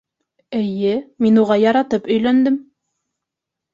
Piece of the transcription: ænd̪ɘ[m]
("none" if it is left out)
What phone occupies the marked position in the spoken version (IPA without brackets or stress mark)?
m